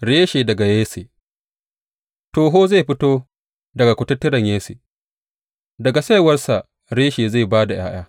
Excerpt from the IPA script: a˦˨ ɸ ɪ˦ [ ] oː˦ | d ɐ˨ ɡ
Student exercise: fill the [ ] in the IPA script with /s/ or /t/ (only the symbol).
t